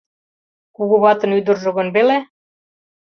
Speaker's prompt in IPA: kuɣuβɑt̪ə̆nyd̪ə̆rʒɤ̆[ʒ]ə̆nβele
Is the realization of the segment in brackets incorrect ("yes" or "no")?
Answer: yes